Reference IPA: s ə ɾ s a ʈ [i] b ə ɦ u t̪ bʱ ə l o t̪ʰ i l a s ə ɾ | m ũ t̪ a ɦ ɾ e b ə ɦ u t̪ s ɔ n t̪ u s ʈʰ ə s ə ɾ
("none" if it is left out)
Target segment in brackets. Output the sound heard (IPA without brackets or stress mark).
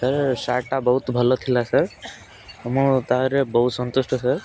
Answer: a